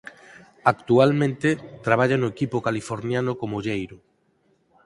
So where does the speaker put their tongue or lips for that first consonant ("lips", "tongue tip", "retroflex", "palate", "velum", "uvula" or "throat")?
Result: velum